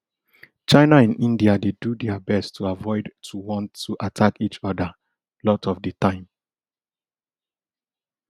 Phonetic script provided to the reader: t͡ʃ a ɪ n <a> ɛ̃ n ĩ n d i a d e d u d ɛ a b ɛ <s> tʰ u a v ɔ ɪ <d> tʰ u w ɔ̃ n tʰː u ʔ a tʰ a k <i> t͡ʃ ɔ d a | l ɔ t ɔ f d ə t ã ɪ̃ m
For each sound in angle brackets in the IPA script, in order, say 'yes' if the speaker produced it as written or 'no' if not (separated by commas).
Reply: yes, yes, yes, yes